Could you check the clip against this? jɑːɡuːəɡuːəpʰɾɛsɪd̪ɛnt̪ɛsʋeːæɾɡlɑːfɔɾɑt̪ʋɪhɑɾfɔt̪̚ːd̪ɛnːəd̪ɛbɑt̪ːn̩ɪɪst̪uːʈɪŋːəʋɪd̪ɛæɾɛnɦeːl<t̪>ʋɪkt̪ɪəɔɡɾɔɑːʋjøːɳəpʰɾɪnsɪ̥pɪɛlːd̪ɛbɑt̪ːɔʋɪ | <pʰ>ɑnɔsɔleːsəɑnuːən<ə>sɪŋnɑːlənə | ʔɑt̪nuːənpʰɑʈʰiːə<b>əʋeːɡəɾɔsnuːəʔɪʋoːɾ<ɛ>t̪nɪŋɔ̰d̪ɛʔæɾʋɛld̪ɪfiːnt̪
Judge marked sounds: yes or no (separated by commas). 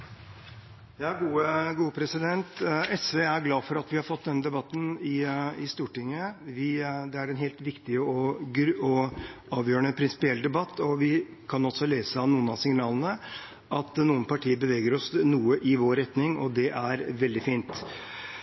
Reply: yes, no, no, yes, yes